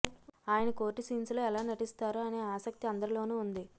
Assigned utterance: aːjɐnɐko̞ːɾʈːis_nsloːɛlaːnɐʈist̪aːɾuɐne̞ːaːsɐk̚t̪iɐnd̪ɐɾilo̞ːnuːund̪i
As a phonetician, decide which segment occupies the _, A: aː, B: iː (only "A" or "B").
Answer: B